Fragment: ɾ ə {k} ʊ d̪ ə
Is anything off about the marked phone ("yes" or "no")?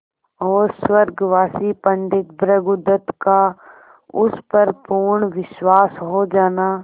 yes